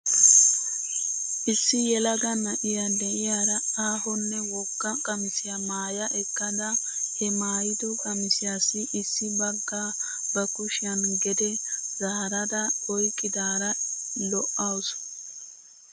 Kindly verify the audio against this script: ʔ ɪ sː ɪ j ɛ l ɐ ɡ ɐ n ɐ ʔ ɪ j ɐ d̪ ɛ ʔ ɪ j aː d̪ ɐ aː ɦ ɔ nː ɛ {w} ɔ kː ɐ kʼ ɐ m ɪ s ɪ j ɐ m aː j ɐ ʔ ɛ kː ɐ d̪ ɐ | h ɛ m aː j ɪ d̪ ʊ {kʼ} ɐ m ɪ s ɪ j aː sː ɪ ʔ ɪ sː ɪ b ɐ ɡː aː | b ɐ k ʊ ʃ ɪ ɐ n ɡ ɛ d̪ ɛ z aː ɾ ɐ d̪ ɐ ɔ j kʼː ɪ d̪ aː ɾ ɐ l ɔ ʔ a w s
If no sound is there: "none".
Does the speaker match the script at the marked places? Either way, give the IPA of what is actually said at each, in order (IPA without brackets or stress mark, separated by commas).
w, kʼ